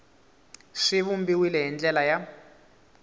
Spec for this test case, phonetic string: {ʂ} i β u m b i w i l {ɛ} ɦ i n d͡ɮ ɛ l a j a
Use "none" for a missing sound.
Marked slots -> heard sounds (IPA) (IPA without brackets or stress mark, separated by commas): ʂ, ɛ